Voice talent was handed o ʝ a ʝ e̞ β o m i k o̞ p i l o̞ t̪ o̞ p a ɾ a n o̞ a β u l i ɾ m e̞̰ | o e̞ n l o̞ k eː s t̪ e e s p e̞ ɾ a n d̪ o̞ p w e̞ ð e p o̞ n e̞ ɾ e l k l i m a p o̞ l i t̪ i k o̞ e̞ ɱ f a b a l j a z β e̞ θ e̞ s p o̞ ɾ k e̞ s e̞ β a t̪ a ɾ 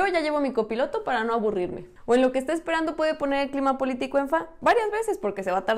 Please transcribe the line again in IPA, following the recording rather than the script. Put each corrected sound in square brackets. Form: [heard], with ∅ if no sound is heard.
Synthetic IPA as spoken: o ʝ a ʝ e̞ β o m i k o̞ p i l o̞ t̪ o̞ p a ɾ a n o̞ a β u [r] i ɾ m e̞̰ | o e̞ n l o̞ k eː s t̪ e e s p e̞ ɾ a n d̪ o̞ p w e̞ ð e p o̞ n e̞ ɾ e l k l i m a p o̞ l i t̪ i k o̞ e̞ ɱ f a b a [ɾ] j a z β e̞ [s] e̞ s p o̞ ɾ k e̞ s e̞ β a t̪ a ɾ

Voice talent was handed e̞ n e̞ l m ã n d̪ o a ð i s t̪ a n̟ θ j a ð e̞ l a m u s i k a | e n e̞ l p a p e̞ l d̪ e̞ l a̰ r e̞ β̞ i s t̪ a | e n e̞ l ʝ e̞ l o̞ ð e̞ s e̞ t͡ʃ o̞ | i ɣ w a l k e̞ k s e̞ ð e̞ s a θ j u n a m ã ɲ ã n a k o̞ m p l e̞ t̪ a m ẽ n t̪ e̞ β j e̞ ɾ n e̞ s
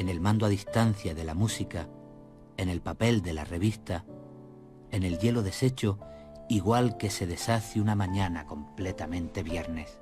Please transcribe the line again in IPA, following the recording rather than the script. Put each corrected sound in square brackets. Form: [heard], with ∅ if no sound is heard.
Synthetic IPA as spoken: e̞ n e̞ l m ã n d̪ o a ð i s t̪ a n̟ θ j a ð e̞ l a m u s i k a | e n e̞ l p a p e̞ l d̪ e̞ l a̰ r e̞ β̞ i s t̪ a | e n e̞ l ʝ e̞ l o̞ ð e̞ s e̞ t͡ʃ o̞ | i ɣ w a l k e̞ [∅] s e̞ ð e̞ s a θ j u n a m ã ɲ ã n a k o̞ m p l e̞ t̪ a m ẽ n t̪ e̞ β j e̞ ɾ n e̞ s

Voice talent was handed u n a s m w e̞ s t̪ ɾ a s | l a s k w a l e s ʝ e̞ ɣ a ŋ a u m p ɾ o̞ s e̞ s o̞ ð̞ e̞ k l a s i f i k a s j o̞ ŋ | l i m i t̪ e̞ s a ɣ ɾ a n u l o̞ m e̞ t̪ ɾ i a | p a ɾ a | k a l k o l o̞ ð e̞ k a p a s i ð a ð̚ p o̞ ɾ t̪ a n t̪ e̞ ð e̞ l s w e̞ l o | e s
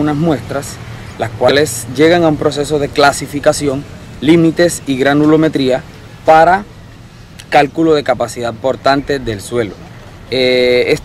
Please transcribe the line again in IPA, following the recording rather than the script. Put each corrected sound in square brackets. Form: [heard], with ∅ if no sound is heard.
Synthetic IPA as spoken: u n a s m w e̞ s t̪ ɾ a s | l a s k w a l e s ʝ e̞ ɣ a ŋ a u m p ɾ o̞ s e̞ s o̞ ð̞ e̞ k l a s i f i k a s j o̞ ŋ | l i m i t̪ e̞ s [i] ɣ ɾ a n u l o̞ m e̞ t̪ ɾ i a | p a ɾ a | k a l k [u] l o̞ ð e̞ k a p a s i ð a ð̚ p o̞ ɾ t̪ a n t̪ e̞ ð e̞ l s w e̞ l o | e s

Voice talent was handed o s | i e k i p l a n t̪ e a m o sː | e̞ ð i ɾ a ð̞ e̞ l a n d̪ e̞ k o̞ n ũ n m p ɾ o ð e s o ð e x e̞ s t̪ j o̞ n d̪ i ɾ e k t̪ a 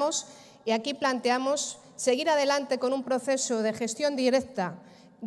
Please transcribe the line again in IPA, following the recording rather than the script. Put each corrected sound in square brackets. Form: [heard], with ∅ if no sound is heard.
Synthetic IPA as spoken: o s | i [a] k i p l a n t̪ e a m o sː | e̞ [ɣ] i ɾ a ð̞ e̞ l a n [t̪] e̞ k o̞ n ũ [∅] m p ɾ o [θ] e s o ð e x e̞ s t̪ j o̞ n d̪ i ɾ e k t̪ a

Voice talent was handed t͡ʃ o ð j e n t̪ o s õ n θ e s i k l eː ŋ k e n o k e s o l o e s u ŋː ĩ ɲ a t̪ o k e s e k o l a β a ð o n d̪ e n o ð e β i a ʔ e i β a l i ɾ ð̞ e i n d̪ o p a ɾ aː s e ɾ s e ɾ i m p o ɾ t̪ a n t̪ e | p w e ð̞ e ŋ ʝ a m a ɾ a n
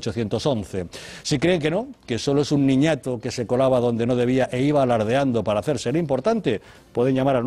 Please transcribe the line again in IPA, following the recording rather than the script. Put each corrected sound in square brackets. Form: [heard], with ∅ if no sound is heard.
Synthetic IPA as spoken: t͡ʃ o [θ] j e n t̪ o s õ n θ e s i k [ɾ] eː ŋ k e n o k e s o l o e s u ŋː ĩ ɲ a t̪ o k e s e k o l a β a ð o n d̪ e n o ð e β i a ʔ e i β a l [a] ɾ ð̞ e [a] n d̪ o p a ɾ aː [θ] e ɾ s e ɾ i m p o ɾ t̪ a n t̪ e | p w e ð̞ e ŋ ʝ a m a ɾ a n

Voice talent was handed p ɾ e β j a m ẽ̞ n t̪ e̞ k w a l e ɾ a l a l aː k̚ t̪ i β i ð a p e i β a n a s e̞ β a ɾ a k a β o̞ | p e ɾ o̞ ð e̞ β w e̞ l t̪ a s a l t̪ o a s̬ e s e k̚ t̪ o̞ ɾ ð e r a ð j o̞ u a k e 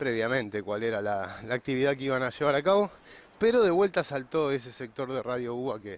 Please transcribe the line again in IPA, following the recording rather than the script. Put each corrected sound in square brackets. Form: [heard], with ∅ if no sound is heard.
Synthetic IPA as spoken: p ɾ e β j a m ẽ̞ n t̪ e̞ k w a l e ɾ a l a l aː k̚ t̪ i β i ð a [k] e i β a n a [ʃ] e̞ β a ɾ a k a β o̞ | p e ɾ o̞ ð e̞ β w e̞ l t̪ a s a l t̪ o [e] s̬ e s e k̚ t̪ o̞ ɾ ð e r a ð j o̞ u a k e

